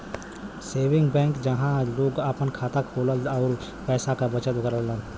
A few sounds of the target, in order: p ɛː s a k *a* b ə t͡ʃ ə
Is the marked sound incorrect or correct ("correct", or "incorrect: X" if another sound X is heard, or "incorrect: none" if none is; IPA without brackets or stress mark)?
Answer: correct